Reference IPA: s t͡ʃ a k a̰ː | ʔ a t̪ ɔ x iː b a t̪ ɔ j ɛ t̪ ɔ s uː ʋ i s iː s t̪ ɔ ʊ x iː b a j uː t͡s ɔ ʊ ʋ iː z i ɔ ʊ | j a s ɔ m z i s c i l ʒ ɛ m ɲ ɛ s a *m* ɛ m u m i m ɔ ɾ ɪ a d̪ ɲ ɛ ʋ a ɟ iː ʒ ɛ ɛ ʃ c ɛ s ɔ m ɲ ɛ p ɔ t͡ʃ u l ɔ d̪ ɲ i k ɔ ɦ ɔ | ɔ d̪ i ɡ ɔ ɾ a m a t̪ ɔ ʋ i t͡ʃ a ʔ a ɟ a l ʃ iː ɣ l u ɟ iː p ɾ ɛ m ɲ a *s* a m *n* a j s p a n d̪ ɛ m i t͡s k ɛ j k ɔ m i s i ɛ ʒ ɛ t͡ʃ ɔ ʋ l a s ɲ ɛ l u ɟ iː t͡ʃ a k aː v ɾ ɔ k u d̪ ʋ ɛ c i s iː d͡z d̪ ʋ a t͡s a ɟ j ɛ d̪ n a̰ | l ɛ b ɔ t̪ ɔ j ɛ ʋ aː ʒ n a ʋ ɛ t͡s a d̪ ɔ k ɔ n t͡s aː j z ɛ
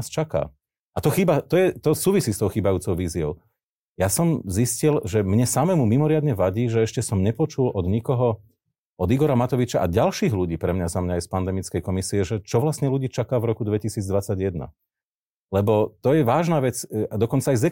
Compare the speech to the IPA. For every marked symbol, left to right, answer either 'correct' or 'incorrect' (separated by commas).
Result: correct, incorrect, incorrect